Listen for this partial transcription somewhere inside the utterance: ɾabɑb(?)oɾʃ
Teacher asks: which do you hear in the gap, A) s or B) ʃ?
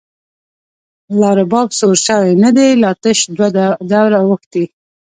A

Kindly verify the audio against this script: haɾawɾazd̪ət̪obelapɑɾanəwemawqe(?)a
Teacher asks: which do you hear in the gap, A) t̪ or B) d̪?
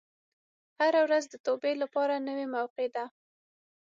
B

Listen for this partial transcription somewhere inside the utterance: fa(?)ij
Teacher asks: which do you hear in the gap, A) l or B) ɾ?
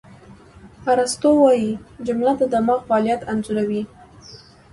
A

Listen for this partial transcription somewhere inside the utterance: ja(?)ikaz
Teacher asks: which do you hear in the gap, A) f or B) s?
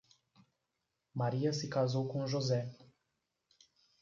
B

